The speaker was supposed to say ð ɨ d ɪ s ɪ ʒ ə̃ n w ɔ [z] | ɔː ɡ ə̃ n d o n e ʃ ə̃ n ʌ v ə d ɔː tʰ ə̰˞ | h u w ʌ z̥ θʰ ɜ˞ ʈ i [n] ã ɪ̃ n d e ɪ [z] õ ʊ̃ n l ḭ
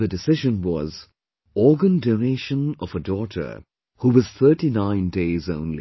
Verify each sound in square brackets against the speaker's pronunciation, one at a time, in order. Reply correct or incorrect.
correct, correct, correct

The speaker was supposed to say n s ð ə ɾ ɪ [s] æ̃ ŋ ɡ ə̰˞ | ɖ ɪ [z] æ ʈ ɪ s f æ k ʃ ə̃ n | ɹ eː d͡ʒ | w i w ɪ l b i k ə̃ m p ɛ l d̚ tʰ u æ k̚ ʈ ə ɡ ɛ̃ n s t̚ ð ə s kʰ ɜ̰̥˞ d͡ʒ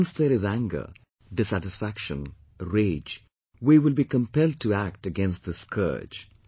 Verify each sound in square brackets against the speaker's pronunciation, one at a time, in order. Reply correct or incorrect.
incorrect: z, incorrect: s

